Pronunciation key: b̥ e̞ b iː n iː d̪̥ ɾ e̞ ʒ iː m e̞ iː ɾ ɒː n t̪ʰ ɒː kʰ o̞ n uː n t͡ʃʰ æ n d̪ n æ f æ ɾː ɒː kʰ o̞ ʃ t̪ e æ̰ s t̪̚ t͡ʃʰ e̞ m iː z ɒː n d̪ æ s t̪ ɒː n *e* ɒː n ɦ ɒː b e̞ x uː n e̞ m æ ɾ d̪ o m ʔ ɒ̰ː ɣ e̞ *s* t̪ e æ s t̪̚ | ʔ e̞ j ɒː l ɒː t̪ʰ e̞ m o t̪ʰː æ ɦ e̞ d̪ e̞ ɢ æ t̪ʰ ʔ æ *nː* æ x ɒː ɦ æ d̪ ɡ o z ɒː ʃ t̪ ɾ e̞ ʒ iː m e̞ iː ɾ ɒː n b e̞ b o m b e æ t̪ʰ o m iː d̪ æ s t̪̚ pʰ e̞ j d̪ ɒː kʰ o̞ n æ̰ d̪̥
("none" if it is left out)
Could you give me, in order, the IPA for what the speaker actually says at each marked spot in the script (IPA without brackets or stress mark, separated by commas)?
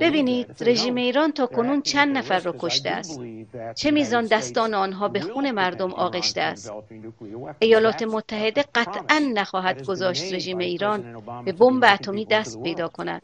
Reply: e, ʃ, nː